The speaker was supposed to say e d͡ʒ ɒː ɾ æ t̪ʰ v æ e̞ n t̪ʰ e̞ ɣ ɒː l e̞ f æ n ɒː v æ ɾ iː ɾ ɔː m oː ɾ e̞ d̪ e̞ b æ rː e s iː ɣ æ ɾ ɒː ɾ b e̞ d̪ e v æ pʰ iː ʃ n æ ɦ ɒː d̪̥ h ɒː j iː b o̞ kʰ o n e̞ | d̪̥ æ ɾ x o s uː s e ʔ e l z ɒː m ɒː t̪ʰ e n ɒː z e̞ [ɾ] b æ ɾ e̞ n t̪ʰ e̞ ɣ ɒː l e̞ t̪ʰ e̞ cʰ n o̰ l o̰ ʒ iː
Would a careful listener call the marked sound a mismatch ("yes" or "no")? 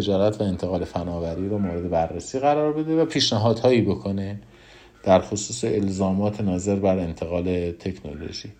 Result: no